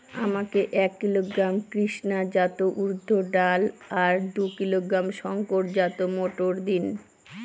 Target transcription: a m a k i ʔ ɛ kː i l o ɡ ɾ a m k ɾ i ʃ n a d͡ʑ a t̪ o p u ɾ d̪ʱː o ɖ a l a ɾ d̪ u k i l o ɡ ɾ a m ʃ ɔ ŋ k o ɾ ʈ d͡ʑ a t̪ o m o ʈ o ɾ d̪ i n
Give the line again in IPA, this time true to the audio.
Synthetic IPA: a m a k e ʔ ɛ kː i l o ɡ ɾ a m k ɾ i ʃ n a d͡ʑ a t̪ o ʔ u ɾ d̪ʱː o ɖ a l a ɾ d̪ u k i l o ɡ ɾ a m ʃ ɔ ŋ k o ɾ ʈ d͡ʑ a t̪ o m o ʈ o ɾ d̪ i n